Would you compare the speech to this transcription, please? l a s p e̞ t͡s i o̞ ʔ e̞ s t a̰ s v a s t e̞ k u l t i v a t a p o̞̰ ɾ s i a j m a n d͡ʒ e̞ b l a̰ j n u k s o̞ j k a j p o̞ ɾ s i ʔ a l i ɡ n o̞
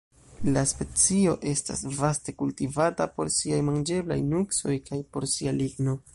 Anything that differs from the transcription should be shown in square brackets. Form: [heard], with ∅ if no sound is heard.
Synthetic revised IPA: l a s p e̞ t͡s i o̞ ʔ e̞ s t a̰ s v a s t e̞ k u l t i v a t a p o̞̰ ɾ s i a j m a n d͡ʒ e̞ b l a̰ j n u k s o̞ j k a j p o̞ ɾ s i [∅] a l i ɡ n o̞